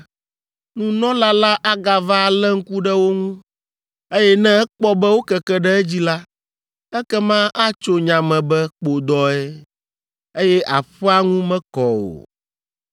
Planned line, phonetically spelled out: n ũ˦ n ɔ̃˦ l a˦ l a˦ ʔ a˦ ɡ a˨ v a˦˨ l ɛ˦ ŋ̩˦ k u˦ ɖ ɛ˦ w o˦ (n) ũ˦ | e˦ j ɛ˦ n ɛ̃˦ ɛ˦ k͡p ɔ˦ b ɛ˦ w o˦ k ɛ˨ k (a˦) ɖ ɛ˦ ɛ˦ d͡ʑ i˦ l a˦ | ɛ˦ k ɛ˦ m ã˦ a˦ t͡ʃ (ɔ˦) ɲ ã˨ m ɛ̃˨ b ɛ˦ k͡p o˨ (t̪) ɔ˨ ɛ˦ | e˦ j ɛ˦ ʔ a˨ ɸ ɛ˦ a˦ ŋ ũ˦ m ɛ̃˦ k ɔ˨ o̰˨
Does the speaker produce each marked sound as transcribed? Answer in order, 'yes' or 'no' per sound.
no, no, no, no

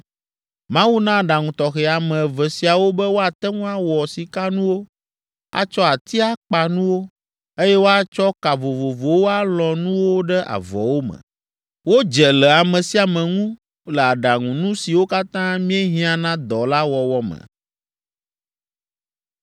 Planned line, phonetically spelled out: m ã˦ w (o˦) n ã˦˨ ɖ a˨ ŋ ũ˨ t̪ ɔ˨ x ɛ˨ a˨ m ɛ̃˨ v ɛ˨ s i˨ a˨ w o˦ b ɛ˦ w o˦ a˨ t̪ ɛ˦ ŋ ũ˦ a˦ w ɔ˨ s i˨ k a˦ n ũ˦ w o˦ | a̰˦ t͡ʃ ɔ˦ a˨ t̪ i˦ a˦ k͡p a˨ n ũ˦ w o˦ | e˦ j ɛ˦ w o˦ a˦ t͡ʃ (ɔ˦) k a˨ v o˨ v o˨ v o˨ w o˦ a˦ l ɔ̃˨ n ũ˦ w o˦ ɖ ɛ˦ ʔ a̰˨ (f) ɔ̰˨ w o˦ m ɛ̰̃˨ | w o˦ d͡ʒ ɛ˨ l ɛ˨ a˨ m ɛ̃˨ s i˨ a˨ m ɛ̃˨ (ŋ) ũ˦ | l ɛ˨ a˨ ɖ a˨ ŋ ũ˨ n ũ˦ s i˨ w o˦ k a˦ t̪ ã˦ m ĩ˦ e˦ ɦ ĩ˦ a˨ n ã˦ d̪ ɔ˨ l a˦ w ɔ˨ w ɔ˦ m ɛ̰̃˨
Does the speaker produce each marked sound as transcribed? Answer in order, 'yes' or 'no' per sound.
no, yes, no, yes

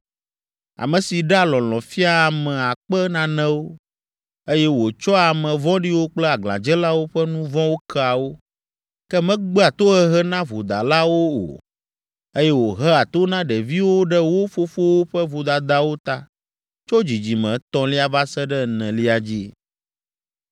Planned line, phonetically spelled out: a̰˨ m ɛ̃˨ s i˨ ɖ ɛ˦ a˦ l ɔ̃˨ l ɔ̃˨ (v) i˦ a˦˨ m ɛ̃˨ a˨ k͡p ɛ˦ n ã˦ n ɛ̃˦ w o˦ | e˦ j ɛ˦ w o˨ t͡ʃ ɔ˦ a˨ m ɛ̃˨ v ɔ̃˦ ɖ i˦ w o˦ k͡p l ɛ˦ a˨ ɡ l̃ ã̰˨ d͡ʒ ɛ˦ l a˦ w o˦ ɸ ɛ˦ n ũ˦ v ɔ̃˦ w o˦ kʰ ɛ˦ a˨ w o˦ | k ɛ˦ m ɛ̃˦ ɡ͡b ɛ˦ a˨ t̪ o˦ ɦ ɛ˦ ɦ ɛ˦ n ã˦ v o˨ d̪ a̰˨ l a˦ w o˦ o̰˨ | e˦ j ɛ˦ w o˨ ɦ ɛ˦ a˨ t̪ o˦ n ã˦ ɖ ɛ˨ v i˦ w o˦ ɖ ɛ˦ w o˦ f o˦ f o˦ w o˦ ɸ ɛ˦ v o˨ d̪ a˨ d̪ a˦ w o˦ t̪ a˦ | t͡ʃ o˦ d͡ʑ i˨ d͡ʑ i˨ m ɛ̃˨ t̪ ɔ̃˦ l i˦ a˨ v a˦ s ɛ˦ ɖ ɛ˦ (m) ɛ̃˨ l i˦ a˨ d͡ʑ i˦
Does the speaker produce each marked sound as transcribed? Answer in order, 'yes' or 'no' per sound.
no, no

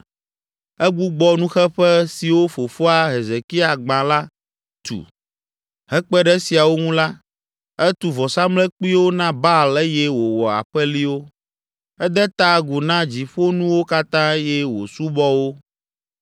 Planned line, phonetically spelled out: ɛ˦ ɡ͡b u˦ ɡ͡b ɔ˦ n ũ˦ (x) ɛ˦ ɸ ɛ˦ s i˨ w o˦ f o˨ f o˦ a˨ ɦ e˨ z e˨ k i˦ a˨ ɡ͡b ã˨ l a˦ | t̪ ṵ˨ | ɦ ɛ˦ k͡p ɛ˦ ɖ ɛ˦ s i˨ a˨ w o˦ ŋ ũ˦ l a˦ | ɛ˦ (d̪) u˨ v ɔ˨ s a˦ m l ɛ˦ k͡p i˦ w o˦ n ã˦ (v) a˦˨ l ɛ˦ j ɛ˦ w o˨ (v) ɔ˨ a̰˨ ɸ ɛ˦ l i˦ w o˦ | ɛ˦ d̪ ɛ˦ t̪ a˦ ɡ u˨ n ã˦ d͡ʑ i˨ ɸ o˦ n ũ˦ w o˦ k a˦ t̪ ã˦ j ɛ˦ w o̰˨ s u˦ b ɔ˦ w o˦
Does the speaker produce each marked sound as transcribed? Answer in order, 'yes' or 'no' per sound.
yes, no, no, no

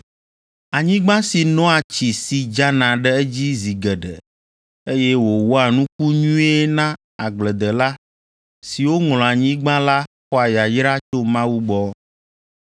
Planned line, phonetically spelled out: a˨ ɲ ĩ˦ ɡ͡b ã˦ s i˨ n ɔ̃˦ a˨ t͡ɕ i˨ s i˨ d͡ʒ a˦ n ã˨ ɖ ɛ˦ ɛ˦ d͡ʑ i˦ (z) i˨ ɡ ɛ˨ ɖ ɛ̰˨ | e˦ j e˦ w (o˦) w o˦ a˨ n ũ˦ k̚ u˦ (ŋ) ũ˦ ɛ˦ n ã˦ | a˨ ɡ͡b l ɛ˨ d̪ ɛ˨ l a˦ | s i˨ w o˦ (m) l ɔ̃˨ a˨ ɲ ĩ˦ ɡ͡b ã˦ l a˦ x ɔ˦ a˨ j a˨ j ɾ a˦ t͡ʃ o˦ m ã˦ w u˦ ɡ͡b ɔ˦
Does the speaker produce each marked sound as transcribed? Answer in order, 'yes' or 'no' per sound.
yes, no, no, no

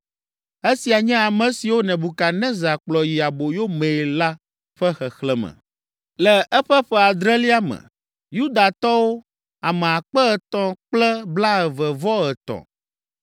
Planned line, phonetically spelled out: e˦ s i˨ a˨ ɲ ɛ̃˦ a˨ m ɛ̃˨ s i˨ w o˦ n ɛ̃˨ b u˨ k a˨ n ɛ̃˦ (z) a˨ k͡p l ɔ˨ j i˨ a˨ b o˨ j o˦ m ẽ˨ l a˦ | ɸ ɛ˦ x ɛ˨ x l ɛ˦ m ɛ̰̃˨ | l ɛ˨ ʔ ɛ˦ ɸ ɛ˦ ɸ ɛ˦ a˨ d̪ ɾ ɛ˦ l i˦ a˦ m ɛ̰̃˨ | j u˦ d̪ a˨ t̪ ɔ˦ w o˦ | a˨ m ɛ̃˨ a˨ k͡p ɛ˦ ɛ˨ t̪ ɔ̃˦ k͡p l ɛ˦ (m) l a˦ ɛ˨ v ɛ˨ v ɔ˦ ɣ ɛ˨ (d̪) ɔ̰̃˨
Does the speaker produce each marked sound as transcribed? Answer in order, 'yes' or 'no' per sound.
yes, no, no

